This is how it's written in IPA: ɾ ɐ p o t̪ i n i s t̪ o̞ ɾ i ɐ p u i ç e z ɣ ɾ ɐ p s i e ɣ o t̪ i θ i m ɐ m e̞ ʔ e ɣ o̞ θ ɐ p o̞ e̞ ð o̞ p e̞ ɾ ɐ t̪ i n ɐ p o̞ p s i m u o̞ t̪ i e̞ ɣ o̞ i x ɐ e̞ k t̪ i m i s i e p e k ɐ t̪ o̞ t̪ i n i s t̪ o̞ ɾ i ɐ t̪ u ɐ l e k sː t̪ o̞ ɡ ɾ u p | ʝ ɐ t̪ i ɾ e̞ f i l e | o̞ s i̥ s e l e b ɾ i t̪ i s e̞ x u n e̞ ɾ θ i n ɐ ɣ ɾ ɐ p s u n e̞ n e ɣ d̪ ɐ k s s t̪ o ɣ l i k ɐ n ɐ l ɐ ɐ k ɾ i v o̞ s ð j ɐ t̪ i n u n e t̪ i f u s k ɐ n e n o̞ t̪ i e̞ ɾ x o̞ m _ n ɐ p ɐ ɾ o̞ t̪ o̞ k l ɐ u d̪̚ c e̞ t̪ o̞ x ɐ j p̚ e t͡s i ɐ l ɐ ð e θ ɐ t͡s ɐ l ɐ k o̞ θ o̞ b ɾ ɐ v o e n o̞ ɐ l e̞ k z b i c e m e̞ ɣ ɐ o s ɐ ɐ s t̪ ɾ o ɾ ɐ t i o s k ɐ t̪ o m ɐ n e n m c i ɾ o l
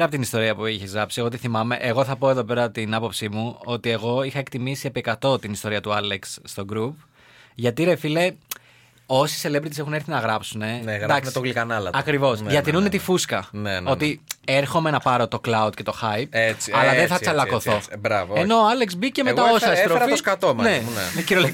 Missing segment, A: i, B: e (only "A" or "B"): B